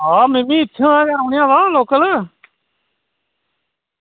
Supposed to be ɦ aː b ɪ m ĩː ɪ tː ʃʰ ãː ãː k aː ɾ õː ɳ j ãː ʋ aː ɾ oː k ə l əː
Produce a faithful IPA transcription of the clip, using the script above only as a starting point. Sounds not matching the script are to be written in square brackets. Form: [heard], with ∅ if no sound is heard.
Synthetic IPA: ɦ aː [m] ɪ m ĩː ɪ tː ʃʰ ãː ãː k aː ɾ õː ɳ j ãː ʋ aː [l] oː k ə l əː